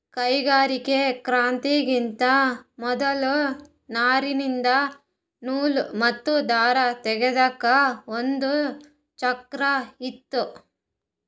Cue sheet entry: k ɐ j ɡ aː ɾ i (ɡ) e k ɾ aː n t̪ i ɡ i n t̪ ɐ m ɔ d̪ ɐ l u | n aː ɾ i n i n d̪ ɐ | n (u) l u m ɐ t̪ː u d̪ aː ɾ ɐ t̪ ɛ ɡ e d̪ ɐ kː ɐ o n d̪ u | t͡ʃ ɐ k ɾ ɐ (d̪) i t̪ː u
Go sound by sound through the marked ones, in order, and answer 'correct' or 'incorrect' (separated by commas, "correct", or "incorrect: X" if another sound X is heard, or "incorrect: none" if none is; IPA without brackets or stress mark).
incorrect: k, incorrect: uː, incorrect: none